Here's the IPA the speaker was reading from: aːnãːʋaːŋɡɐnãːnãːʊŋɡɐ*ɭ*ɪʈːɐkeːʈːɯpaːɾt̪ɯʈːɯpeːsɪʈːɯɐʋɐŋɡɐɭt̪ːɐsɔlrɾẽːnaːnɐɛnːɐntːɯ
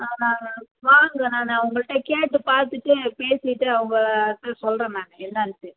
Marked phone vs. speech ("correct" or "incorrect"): correct